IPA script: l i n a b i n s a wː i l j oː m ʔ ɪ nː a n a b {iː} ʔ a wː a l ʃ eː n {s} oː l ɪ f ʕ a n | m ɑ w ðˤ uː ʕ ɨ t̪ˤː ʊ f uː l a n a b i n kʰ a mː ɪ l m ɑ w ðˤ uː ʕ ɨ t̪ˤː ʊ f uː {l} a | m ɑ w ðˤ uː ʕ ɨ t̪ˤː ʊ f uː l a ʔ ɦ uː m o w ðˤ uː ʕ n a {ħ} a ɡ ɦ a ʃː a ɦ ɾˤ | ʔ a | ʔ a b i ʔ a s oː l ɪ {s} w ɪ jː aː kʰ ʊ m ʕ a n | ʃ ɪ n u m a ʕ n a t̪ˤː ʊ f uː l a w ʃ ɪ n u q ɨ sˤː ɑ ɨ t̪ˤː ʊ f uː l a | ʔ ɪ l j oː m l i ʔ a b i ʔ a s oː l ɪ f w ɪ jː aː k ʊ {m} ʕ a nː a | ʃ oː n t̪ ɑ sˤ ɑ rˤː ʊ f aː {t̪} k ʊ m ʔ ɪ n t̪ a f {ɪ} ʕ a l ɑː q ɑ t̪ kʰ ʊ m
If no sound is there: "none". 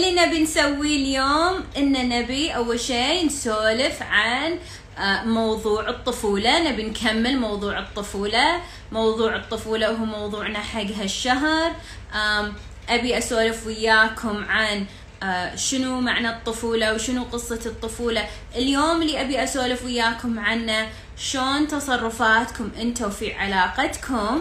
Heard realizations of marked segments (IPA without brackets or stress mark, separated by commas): i, s, l, ħ, f, m, t̪, i